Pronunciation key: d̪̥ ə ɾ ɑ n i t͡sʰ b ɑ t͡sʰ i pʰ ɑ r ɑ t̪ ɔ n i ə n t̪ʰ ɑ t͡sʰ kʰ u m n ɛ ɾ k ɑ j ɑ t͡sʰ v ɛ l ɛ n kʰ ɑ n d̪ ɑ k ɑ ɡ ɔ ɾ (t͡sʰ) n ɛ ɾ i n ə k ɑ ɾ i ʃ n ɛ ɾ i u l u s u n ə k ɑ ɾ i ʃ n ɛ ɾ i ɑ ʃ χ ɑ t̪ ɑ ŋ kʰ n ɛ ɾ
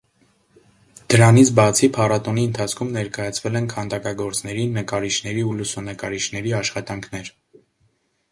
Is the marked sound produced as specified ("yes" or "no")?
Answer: no